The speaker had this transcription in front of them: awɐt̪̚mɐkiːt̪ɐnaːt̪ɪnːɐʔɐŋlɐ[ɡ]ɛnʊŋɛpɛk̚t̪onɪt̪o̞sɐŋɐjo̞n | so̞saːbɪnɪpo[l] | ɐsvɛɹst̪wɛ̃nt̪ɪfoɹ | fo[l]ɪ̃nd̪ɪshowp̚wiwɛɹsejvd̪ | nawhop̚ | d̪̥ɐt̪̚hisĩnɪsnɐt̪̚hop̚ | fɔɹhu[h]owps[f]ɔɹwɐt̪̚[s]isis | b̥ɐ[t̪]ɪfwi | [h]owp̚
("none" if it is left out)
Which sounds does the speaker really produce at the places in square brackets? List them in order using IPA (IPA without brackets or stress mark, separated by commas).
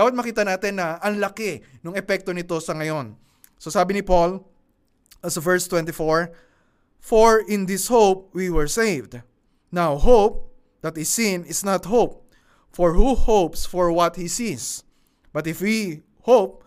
k, l, ɹ, h, f, h, t̪, h